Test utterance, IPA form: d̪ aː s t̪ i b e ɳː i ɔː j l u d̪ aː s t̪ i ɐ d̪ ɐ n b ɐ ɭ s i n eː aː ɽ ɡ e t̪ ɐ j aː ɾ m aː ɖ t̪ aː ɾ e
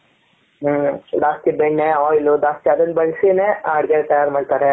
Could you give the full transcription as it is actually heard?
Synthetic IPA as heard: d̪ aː s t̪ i b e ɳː e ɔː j l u d̪ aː s t̪ i ɐ d̪ ɐ n b ɐ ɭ s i n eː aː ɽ ɡ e t̪ ɐ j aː ɾ m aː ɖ t̪ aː ɾ e